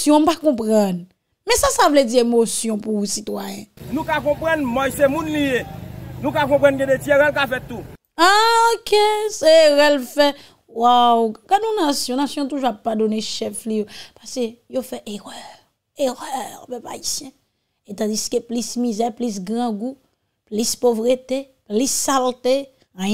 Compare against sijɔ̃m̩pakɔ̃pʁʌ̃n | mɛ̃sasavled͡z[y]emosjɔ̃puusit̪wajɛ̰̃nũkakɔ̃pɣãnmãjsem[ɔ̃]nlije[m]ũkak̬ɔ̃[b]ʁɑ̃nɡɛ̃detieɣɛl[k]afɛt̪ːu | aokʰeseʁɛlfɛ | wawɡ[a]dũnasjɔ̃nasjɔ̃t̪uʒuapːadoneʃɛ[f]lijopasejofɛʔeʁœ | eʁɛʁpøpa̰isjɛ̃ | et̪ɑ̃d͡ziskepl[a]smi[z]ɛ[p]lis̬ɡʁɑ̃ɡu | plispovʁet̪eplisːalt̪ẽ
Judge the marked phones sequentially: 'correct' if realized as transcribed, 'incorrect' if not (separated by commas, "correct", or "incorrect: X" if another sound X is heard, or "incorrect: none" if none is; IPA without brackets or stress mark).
incorrect: i, incorrect: ũ, incorrect: n, incorrect: p, correct, correct, correct, incorrect: i, correct, correct